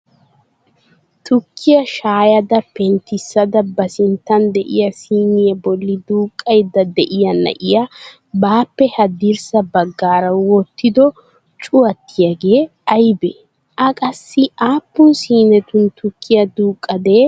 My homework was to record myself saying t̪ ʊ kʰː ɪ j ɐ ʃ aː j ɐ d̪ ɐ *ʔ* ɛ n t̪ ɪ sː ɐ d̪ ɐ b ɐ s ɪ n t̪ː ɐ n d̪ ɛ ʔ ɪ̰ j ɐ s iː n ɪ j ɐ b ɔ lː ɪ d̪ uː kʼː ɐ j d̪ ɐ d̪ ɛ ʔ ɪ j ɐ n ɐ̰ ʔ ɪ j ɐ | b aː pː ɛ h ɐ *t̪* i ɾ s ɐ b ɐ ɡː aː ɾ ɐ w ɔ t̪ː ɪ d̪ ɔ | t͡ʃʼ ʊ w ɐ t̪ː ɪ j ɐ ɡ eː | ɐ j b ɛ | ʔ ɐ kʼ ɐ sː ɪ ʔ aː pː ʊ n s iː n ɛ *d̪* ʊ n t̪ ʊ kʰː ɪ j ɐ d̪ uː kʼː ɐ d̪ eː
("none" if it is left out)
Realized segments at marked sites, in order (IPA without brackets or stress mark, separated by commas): p, d̪, t̪